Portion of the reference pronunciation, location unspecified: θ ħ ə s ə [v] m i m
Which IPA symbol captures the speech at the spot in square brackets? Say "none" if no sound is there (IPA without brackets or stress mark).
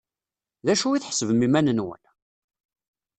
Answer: v